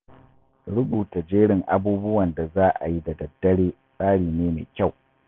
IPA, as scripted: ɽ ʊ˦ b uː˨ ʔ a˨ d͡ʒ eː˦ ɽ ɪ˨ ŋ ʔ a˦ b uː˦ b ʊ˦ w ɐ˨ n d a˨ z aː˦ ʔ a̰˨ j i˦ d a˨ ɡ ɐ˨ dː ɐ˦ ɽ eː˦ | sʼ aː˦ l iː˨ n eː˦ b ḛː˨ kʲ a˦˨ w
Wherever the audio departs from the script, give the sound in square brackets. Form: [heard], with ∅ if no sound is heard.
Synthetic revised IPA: ɽ ʊ˦ b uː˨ [t] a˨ d͡ʒ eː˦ ɽ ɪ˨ ŋ ʔ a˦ b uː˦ b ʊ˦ w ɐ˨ n d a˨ z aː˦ ʔ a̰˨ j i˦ d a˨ [d] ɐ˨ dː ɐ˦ ɽ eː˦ | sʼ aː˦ [ɽ] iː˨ n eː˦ [m] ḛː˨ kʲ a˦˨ w